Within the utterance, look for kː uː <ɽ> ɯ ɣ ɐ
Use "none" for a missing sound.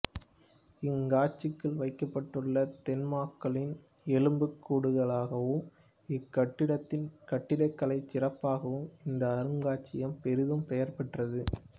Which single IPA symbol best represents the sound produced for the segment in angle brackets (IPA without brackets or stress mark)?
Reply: ɽ